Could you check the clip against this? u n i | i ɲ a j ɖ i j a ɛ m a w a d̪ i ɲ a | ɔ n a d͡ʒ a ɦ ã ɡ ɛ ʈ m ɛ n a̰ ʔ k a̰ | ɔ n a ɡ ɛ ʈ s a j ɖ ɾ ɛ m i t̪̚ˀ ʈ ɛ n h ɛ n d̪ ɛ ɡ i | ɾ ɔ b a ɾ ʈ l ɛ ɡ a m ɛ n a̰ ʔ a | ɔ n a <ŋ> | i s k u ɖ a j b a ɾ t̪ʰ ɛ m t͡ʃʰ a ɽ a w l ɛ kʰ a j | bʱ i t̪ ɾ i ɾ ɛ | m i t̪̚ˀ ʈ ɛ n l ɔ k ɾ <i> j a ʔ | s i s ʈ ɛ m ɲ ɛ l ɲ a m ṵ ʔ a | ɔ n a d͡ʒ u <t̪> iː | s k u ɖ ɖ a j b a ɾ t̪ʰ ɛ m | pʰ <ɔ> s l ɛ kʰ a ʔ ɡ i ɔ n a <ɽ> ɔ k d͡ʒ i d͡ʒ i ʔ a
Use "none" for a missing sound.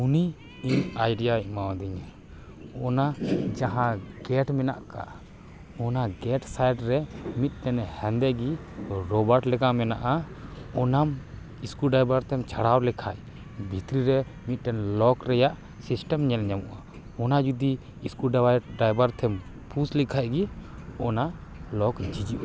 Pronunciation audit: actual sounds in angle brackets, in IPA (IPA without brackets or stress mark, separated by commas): m, ɛ, d̪, u, l